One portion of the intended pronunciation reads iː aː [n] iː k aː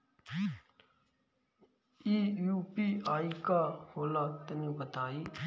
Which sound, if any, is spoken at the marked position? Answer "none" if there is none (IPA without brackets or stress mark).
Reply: none